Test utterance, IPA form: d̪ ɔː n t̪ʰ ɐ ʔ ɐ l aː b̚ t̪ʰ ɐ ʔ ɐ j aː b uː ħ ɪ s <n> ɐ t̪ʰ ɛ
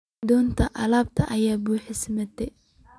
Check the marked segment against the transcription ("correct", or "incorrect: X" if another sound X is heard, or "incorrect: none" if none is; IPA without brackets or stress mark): incorrect: m